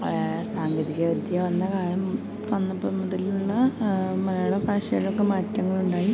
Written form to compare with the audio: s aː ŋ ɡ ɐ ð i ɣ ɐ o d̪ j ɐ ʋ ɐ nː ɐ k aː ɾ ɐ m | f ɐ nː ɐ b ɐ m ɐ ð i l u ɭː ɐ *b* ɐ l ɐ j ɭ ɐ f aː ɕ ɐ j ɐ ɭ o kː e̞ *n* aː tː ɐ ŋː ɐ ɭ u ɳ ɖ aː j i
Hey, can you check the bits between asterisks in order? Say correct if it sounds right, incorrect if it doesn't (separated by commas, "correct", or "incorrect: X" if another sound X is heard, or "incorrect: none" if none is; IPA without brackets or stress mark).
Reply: incorrect: m, incorrect: m